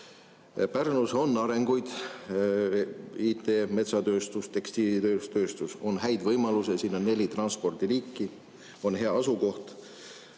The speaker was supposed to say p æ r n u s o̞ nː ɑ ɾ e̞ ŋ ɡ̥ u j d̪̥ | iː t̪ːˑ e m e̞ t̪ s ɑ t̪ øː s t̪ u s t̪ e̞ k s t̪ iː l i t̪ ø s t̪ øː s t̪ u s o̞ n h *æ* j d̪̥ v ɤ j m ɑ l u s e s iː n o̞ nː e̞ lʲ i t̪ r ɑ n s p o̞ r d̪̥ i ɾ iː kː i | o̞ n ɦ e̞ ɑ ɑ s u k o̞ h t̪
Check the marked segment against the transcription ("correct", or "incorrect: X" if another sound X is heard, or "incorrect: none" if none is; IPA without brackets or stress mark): correct